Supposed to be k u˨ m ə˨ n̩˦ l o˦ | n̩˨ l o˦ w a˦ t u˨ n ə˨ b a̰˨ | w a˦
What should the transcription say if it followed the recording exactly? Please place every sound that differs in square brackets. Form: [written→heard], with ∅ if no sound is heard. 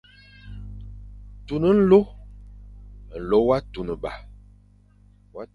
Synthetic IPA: [k→t] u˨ [m→n] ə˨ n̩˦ l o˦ | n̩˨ l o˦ w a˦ t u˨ n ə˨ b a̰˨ | w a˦